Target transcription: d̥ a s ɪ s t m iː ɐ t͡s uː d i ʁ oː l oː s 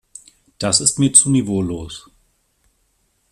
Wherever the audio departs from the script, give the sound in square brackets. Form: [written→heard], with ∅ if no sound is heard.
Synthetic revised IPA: d̥ a s ɪ s t m iː ɐ t͡s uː [d→n] i [ʁ→v] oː l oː s